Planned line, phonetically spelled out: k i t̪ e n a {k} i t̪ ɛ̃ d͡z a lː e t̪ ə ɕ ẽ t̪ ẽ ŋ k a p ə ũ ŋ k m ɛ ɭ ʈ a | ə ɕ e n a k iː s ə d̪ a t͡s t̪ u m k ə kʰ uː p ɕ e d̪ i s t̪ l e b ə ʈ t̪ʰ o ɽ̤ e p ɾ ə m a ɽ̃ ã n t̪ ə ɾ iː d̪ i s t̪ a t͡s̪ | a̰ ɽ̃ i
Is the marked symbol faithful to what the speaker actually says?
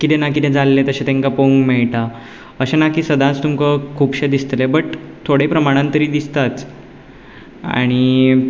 yes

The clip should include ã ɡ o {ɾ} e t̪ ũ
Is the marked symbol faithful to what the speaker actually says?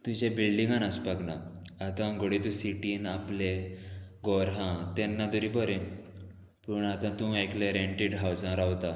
no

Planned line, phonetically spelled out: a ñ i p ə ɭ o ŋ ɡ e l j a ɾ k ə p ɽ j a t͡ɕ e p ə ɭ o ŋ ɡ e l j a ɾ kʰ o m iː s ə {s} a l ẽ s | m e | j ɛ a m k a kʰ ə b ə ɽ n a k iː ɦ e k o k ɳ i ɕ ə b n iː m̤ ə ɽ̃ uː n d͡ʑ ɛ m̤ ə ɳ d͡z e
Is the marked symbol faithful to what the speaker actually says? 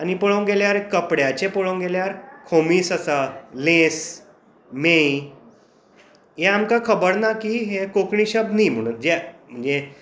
yes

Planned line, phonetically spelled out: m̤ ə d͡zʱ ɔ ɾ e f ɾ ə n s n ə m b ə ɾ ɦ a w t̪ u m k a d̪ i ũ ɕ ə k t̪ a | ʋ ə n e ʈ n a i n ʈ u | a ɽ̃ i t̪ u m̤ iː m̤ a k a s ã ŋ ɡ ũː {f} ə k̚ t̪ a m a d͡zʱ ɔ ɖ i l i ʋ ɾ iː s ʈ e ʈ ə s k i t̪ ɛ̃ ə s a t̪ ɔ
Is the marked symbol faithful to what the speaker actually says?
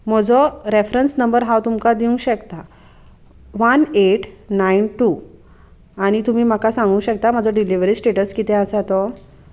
no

